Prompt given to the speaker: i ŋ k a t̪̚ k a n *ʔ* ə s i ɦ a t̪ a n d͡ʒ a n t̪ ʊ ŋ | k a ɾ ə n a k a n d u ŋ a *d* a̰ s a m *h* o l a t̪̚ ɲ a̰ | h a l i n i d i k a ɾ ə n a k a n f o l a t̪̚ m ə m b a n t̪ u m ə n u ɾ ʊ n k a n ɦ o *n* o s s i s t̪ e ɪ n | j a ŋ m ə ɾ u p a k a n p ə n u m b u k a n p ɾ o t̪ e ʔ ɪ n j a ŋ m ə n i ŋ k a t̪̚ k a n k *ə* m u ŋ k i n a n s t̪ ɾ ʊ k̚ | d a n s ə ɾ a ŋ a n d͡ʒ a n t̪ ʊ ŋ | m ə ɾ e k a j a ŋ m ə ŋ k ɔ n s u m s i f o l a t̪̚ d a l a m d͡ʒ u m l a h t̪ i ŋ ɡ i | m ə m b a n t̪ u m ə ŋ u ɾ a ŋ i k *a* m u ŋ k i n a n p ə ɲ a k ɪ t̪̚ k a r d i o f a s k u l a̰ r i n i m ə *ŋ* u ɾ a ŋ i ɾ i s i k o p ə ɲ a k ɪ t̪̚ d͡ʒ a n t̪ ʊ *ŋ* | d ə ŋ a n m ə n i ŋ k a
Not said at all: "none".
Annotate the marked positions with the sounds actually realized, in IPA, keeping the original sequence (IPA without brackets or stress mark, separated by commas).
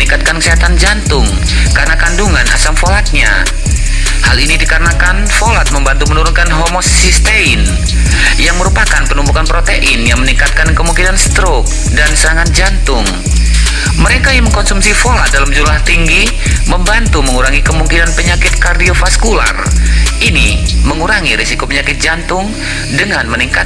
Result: k, n, f, m, ə, ə, ŋ, ŋ